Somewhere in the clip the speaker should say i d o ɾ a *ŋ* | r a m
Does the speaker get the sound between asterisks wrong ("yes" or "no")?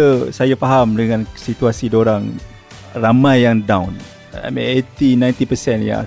no